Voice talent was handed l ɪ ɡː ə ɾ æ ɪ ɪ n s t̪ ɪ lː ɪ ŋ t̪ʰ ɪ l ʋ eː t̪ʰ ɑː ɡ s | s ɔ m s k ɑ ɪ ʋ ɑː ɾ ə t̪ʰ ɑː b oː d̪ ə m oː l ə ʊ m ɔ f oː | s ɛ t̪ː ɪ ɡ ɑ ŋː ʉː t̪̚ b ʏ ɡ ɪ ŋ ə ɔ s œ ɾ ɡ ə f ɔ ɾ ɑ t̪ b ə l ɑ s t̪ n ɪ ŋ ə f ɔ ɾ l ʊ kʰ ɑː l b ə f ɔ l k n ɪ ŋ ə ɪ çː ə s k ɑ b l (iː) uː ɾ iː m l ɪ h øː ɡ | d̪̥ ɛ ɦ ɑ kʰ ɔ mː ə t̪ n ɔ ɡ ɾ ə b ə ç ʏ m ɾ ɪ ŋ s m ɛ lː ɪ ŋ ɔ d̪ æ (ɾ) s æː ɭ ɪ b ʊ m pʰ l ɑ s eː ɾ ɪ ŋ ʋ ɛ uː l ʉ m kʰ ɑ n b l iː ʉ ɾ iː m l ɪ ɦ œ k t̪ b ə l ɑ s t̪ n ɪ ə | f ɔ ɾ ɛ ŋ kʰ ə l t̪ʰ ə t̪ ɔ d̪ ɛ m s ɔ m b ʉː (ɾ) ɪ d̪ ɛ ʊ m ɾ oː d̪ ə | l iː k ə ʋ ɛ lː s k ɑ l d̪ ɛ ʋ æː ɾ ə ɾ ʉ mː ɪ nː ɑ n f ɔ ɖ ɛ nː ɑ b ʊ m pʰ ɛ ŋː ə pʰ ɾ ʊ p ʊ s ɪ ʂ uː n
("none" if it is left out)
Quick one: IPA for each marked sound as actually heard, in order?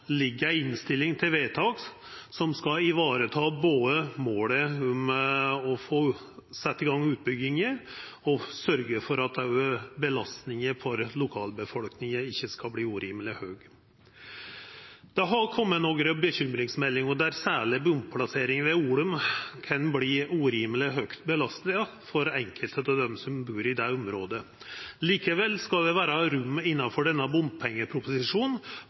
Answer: iː, ɾ, ɾ

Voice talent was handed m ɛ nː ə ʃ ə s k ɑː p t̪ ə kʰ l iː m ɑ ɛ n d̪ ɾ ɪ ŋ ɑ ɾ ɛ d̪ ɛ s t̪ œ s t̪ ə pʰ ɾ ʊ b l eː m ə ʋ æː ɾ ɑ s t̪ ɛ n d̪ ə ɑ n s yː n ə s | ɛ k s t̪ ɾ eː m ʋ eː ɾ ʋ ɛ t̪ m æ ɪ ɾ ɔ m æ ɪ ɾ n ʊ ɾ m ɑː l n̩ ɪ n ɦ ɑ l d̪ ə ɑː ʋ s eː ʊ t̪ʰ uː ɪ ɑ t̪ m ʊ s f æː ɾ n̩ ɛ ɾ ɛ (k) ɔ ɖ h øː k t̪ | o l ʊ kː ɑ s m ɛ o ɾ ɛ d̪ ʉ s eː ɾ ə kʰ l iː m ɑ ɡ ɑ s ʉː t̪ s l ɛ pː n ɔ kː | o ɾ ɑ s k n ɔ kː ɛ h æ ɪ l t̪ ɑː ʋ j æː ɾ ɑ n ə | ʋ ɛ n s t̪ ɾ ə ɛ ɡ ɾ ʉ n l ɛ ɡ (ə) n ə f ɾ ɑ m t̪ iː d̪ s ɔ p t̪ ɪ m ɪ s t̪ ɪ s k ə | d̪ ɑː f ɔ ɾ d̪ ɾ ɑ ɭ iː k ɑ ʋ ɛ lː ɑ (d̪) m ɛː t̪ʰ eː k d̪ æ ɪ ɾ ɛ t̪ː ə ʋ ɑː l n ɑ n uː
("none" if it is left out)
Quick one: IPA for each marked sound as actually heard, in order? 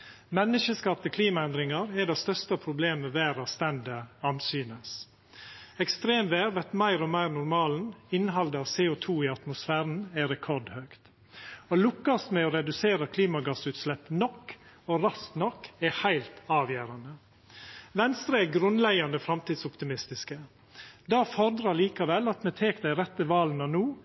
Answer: kʰ, ɑ, t̪

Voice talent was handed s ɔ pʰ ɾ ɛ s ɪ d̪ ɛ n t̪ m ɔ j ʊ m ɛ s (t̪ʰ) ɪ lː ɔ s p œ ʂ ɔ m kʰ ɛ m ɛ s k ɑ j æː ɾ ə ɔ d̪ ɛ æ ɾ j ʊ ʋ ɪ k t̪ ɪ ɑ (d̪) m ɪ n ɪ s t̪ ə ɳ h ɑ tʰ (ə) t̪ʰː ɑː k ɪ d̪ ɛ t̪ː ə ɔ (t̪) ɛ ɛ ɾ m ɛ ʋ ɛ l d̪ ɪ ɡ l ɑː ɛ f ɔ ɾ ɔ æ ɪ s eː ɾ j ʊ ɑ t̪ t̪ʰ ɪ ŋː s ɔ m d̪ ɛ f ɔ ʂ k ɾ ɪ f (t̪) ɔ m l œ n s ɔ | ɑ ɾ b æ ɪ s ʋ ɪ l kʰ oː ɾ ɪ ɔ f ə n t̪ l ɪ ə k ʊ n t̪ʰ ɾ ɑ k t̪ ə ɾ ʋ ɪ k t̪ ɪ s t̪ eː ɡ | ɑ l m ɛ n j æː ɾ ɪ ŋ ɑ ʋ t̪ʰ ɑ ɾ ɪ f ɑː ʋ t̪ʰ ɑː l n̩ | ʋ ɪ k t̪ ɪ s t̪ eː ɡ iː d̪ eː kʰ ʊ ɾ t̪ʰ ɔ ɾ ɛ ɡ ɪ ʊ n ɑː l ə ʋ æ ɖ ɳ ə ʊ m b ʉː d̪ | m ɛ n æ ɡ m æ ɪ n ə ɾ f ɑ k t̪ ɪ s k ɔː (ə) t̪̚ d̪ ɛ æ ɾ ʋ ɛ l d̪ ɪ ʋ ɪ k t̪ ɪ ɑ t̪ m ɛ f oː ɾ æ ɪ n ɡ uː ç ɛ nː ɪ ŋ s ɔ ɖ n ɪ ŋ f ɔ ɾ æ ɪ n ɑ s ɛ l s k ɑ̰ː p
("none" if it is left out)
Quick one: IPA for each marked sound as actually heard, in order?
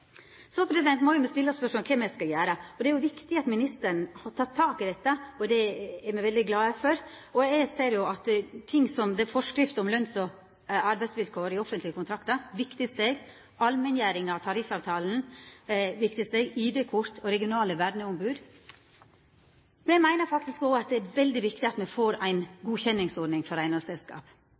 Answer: t̪, t̪, ɑ, d̪, t̪, ɑ

